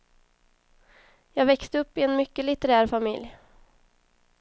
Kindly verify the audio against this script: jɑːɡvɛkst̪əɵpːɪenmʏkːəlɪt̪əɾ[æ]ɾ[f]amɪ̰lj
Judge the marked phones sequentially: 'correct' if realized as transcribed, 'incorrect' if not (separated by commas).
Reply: incorrect, correct